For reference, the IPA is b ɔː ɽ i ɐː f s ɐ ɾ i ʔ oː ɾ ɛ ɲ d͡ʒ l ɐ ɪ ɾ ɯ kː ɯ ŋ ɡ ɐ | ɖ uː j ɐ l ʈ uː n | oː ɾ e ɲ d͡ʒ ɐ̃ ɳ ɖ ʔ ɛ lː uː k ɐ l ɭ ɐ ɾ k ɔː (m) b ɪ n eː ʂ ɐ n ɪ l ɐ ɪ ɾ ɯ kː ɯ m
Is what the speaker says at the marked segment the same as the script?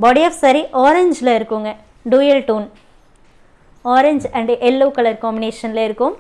yes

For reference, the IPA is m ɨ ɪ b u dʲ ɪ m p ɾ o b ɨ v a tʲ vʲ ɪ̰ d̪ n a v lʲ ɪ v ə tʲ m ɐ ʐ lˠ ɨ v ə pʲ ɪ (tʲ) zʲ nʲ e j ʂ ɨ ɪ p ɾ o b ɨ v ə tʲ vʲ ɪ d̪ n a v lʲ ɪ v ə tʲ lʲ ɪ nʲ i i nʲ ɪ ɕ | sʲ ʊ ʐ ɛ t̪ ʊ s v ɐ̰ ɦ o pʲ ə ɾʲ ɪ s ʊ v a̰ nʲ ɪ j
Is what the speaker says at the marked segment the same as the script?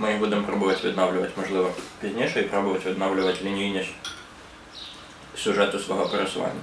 no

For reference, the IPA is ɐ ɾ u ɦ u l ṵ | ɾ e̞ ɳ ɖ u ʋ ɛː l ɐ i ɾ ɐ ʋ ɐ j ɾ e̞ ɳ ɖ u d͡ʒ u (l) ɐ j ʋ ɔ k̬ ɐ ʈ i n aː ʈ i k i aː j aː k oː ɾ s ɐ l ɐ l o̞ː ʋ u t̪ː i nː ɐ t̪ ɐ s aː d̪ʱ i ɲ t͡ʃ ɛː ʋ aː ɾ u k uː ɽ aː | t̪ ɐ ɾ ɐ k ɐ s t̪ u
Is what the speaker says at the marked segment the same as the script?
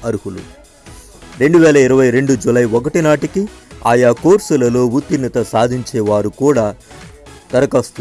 yes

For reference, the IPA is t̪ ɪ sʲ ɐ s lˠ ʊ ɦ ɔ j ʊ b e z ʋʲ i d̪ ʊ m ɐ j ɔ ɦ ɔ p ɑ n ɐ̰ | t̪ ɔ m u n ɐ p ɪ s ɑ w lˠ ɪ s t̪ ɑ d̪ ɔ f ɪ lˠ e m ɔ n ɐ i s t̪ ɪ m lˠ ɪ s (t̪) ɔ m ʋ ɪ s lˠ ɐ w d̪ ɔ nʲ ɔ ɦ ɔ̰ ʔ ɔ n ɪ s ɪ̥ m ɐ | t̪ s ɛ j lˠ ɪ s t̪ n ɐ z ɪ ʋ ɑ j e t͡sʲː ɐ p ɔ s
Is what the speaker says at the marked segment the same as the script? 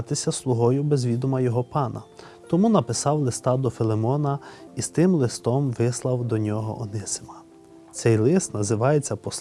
yes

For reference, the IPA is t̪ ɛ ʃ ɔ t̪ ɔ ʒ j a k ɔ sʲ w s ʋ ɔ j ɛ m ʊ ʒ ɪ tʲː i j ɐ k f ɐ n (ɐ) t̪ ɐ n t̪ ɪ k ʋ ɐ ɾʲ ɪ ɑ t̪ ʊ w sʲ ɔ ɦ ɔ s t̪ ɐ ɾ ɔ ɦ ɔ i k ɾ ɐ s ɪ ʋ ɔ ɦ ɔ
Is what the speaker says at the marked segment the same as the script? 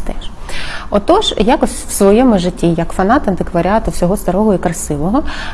no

